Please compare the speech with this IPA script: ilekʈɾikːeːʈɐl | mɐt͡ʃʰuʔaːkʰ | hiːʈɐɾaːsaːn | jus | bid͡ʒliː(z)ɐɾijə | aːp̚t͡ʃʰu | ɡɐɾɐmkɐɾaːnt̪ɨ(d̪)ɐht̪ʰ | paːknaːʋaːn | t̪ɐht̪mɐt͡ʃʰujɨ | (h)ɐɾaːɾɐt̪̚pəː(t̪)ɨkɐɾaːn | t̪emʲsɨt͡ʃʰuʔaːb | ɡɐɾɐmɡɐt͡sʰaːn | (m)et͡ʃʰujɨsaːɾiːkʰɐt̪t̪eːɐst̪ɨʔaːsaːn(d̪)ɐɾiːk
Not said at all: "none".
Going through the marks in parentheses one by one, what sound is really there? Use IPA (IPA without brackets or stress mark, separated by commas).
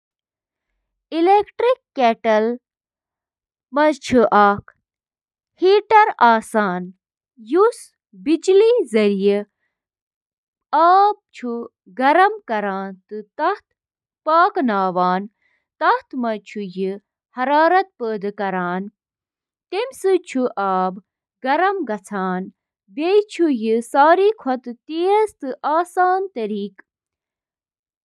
z, t̪, h, d̪, b, t̪